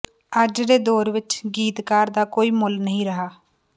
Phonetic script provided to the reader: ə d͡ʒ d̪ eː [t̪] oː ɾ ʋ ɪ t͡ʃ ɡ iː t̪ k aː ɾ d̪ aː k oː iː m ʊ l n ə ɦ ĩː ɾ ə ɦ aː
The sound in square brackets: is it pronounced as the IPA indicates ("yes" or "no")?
no